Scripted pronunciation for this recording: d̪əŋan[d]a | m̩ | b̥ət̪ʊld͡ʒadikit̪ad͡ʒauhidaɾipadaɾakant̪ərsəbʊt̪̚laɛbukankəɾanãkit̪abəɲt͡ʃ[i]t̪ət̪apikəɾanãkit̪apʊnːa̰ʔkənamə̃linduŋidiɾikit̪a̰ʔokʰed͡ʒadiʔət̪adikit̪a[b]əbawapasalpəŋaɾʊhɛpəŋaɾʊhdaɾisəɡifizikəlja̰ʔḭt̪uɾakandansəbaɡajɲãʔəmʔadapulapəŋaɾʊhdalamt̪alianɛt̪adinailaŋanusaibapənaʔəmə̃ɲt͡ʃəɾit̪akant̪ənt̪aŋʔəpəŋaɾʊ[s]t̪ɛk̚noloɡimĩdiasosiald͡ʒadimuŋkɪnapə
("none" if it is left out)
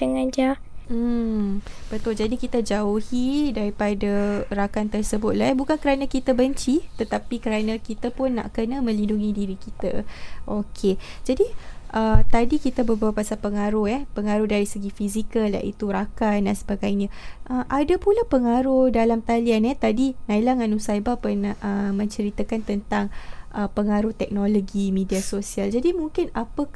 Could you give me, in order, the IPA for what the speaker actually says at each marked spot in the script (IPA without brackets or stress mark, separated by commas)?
d͡ʒ, i, b, h